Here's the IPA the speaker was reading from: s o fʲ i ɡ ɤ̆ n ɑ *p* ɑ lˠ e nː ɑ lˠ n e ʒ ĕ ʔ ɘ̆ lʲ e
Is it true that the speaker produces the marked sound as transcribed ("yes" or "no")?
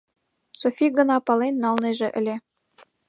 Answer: yes